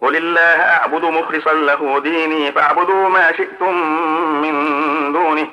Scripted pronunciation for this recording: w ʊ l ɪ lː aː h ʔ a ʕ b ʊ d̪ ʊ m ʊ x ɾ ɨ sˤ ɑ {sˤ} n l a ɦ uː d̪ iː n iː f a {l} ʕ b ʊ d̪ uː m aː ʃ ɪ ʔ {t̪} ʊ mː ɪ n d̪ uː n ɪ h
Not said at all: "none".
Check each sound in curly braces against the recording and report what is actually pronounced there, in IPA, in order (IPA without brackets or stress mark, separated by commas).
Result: none, none, t̪